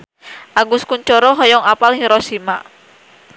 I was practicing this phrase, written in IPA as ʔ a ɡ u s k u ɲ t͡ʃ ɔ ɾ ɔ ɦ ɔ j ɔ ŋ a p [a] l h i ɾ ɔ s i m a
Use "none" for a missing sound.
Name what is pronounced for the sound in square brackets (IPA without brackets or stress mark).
a